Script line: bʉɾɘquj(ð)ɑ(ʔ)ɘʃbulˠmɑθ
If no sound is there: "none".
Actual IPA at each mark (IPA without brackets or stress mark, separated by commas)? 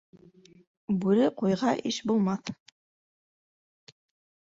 ʁ, ʔ